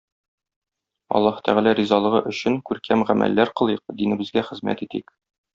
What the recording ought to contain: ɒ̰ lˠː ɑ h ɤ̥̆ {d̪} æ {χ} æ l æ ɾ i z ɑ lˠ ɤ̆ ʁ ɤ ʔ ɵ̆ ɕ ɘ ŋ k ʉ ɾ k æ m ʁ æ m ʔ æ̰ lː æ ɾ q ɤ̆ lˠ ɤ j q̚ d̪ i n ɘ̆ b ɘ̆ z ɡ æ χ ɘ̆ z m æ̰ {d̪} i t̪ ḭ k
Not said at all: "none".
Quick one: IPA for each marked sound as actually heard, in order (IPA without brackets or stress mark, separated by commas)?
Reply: t̪, ʁ, t̪